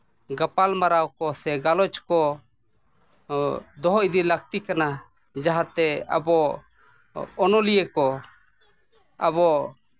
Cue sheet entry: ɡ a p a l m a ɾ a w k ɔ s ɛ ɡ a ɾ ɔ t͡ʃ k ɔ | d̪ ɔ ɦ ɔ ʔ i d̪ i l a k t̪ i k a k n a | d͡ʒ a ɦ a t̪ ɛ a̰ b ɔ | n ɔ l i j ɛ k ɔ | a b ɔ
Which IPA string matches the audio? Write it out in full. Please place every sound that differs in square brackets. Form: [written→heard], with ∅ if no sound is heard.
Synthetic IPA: ɡ a p a l m a ɾ a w k ɔ s ɛ ɡ a [ɾ→l] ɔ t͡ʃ k ɔ | d̪ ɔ ɦ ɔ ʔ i d̪ i l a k t̪ i k a [k→∅] n a | d͡ʒ a ɦ a t̪ ɛ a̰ b ɔ | n ɔ l i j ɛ k ɔ | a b ɔ